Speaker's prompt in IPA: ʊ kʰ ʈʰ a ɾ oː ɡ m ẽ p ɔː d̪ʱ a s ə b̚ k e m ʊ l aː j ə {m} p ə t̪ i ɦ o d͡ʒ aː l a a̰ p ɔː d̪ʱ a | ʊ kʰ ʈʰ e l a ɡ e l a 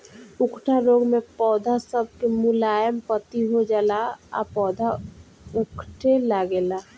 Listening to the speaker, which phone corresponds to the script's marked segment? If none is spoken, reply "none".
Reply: m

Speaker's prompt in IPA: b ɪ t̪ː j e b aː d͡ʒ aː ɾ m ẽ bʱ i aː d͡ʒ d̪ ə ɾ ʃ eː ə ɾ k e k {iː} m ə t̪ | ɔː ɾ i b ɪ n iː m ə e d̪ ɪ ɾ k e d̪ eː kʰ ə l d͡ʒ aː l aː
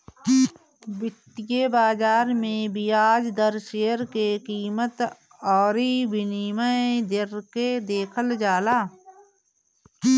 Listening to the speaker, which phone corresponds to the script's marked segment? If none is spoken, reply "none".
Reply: iː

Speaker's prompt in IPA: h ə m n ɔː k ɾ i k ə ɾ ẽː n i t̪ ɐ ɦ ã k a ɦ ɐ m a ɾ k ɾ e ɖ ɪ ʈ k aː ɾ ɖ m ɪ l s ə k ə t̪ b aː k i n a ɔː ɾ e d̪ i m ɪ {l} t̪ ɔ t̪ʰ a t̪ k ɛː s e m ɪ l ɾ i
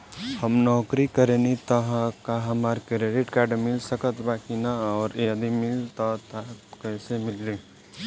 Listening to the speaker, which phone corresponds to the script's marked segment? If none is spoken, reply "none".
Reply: l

